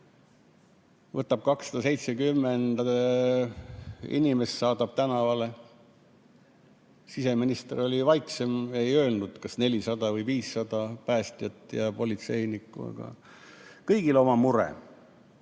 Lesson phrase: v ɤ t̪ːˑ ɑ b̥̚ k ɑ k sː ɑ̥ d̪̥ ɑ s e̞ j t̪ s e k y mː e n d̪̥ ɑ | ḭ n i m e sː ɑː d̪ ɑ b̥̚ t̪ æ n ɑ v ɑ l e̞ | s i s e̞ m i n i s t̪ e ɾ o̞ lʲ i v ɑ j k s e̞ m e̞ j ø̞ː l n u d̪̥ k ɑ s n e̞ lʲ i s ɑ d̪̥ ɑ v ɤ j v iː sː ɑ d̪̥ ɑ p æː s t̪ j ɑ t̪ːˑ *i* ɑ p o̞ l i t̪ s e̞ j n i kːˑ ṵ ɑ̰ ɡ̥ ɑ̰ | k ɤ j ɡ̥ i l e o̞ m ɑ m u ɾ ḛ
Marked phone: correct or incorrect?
incorrect